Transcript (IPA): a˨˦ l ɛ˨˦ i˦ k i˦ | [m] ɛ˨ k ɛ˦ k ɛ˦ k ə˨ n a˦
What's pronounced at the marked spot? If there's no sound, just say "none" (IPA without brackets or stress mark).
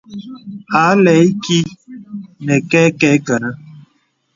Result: n